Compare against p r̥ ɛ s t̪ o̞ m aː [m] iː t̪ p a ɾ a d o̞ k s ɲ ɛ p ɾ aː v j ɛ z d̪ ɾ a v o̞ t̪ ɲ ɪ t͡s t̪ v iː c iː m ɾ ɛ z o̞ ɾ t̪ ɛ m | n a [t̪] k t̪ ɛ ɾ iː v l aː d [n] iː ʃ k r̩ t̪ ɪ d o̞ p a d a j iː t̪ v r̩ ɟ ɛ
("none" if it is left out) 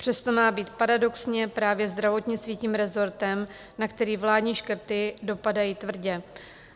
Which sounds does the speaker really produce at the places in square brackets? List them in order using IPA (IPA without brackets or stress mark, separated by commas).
b, none, ɲ